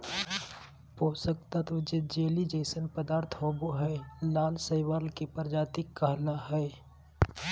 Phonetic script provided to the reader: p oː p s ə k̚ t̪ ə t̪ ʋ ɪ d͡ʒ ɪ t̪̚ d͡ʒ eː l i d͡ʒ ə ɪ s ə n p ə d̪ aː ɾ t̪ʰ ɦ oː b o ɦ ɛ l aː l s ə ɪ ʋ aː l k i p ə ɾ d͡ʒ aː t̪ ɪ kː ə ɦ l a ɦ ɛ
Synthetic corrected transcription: p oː s ə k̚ t̪ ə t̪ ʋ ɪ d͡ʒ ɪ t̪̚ d͡ʒ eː l i d͡ʒ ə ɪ s ə n p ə d̪ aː ɾ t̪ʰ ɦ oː b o ɦ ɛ l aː l s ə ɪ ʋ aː l k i p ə ɾ d͡ʒ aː t̪ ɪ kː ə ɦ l a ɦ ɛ